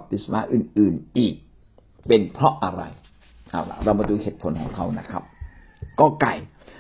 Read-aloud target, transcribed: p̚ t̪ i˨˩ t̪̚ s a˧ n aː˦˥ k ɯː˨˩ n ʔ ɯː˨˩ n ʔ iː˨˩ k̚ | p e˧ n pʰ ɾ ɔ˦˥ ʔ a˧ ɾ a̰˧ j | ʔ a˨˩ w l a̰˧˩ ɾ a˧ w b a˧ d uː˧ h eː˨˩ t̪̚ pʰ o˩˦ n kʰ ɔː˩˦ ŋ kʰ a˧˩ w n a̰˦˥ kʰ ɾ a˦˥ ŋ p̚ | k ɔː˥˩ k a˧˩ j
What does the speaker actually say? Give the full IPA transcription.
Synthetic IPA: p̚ t̪ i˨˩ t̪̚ s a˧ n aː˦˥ ʔ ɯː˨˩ n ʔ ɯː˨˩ n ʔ iː˨˩ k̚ | p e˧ n pʰ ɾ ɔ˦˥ ʔ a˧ ɾ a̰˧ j | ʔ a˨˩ w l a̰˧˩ ɾ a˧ w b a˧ d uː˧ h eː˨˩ t̪̚ pʰ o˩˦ n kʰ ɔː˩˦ ŋ kʰ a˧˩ w n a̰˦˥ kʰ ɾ a˦˥ p̚ | k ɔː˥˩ k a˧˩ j